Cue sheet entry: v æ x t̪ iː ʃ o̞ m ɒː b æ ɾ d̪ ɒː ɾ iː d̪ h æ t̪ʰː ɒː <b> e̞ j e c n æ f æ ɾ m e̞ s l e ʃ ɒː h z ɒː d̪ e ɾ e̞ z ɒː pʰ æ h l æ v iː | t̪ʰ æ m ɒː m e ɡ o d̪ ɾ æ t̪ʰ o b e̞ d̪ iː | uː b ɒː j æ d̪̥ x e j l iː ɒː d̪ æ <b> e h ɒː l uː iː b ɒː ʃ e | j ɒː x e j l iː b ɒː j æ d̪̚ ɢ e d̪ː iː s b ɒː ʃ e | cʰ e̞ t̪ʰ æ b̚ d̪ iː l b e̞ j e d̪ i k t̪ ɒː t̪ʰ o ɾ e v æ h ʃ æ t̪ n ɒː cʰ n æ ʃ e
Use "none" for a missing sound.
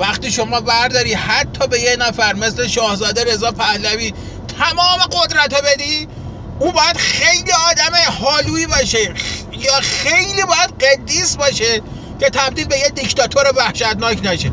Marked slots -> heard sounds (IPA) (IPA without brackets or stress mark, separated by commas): b, m